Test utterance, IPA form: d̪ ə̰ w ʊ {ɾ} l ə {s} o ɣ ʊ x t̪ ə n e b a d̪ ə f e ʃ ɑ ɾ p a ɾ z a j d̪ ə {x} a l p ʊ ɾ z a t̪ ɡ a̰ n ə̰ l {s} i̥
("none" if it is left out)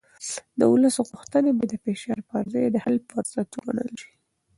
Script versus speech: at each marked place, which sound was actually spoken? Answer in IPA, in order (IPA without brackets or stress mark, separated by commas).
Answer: none, s, h, ʃ